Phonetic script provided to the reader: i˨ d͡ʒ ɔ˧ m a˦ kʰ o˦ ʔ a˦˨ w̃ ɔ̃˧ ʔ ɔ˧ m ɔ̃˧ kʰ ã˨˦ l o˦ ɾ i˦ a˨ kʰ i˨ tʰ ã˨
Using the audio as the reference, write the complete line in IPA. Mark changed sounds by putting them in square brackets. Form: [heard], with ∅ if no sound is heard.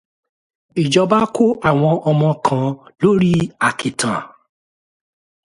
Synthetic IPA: i˨ d͡ʒ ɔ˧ [b] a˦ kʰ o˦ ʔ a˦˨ w̃ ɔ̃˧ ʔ ɔ˧ m ɔ̃˧ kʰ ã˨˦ l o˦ ɾ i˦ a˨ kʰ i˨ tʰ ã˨